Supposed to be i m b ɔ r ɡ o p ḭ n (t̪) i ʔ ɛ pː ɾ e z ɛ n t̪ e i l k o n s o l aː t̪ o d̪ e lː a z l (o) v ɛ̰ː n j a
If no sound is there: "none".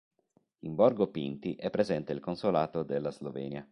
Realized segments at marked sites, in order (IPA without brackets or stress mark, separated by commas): t̪, o